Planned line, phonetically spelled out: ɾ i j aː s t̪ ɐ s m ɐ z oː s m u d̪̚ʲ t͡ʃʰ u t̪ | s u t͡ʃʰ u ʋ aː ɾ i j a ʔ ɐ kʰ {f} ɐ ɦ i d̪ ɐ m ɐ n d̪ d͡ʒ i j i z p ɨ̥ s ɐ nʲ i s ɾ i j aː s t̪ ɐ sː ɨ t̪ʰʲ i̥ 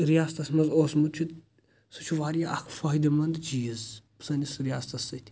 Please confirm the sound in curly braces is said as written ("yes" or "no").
yes